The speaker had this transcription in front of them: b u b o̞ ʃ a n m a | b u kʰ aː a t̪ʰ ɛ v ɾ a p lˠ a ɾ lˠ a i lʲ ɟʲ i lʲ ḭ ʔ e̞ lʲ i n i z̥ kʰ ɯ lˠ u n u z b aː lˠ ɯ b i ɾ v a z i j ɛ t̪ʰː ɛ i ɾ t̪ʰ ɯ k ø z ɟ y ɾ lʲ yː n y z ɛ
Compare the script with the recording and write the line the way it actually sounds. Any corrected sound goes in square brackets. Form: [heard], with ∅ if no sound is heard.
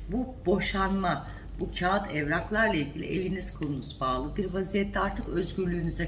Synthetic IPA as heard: b u b o̞ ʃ a n m a | b u [cʰ] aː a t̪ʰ ɛ v ɾ a [k] lˠ a ɾ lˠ a i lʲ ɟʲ i lʲ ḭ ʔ e̞ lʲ i n i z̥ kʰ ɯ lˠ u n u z b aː lˠ ɯ b i ɾ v a z i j ɛ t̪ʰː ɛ [a] ɾ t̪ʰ ɯ k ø z ɟ y ɾ lʲ yː n y z ɛ

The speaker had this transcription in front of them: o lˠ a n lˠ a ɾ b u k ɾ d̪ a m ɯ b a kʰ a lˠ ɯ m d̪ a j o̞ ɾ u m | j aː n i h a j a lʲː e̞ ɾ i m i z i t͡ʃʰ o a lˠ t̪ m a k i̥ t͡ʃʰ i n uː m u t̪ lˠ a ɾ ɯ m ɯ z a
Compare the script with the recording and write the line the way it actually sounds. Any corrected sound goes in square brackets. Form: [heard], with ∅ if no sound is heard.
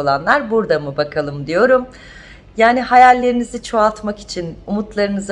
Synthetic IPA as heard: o lˠ a n lˠ a ɾ b u [∅] ɾ d̪ a m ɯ b a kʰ a lˠ ɯ m d̪ [i] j o̞ ɾ u m | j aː n i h a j a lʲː e̞ ɾ i [n] i z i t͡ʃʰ o a lˠ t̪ m a k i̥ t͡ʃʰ i n [u] m u t̪ lˠ a ɾ ɯ [n] ɯ z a

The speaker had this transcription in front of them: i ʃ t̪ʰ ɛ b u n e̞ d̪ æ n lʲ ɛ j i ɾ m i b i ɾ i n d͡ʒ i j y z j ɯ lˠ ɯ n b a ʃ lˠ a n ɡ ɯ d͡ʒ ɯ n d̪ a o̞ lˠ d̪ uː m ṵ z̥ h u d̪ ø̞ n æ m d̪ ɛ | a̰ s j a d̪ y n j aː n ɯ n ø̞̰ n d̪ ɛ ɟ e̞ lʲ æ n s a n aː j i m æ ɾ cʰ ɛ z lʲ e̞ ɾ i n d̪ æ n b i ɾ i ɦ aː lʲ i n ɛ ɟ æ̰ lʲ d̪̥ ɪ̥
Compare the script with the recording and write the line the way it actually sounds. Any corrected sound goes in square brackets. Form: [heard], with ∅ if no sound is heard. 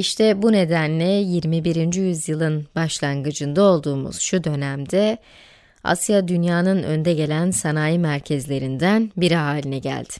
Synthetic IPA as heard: i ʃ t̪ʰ ɛ b u n e̞ d̪ æ n lʲ ɛ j i ɾ m i b i ɾ i n d͡ʒ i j y z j ɯ lˠ ɯ n b a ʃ lˠ a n ɡ ɯ d͡ʒ ɯ n d̪ a o̞ lˠ d̪ uː m ṵ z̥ [ʃ] u d̪ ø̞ n æ m d̪ ɛ | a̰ s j a d̪ y n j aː n ɯ n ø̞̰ n d̪ ɛ ɟ e̞ lʲ æ n s a n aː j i m æ ɾ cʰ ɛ z lʲ e̞ ɾ i n d̪ æ n b i ɾ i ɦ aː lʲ i n ɛ ɟ æ̰ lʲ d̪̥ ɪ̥

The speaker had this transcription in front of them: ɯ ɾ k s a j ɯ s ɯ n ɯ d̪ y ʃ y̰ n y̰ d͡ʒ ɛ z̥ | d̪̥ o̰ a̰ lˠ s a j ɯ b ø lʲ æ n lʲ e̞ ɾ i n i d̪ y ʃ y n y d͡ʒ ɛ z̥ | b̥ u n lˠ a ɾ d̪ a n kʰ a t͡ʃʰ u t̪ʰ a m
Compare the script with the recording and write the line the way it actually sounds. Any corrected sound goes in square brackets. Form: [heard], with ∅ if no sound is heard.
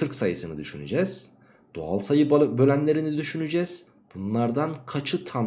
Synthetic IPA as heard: ɯ ɾ k s a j ɯ s ɯ n ɯ d̪ y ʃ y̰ n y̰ d͡ʒ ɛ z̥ | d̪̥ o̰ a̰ lˠ s a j ɯ b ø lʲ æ n lʲ e̞ ɾ i n i d̪ y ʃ y n y d͡ʒ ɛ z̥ | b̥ u n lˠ a ɾ d̪ a n kʰ a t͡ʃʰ [ɯ] t̪ʰ a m

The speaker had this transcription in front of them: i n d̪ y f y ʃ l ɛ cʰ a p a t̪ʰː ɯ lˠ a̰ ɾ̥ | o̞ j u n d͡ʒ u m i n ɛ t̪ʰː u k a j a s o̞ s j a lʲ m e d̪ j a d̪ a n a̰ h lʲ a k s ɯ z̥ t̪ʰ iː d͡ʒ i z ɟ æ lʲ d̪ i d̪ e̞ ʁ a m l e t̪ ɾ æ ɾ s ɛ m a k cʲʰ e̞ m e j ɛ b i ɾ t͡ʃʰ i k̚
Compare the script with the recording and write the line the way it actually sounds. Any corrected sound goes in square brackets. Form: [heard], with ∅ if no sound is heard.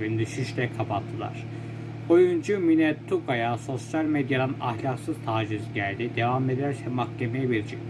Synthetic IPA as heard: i n d̪ y [ʃ] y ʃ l ɛ [kʰ] a p a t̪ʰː ɯ lˠ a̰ ɾ̥ | o̞ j u n d͡ʒ u m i n ɛ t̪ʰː u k a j a s o̞ s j a lʲ m e d̪ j a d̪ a n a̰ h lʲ a k s ɯ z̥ t̪ʰ [aː] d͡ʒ i z ɟ æ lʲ d̪ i d̪ e̞ [v] a m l e [d̪] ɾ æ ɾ s ɛ m a k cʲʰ e̞ m e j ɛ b i ɾ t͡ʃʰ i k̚

